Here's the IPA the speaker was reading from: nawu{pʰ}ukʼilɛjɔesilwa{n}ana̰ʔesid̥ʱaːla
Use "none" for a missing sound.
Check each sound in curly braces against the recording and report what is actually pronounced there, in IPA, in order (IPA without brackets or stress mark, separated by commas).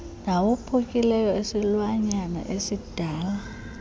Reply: pʰ, ɲ